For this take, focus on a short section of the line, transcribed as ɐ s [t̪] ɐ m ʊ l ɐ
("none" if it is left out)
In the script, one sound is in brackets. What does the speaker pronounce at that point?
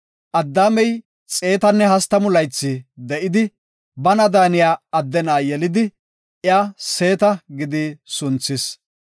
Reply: t̪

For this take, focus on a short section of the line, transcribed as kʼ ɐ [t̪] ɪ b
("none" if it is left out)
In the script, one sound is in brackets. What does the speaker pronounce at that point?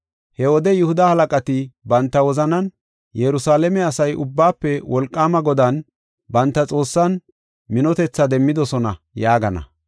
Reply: t̪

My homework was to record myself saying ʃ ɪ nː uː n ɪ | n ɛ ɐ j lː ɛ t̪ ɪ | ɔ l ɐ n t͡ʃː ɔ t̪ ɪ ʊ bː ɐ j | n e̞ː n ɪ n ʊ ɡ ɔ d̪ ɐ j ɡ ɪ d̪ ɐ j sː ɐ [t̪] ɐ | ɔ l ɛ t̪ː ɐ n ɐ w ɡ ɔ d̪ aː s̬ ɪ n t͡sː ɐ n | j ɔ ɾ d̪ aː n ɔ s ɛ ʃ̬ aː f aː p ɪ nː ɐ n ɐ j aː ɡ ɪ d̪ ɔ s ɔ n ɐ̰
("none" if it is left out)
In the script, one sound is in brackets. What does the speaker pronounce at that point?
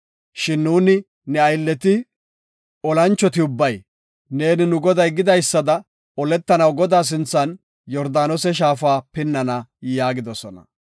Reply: d̪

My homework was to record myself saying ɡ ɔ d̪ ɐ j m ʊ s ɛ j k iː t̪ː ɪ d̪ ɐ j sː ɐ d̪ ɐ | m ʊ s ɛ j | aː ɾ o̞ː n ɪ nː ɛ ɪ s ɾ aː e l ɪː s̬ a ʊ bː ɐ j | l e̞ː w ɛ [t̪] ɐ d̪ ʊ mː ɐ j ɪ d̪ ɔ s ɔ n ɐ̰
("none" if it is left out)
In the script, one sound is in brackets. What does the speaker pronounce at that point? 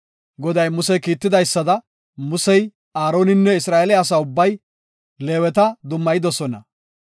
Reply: t̪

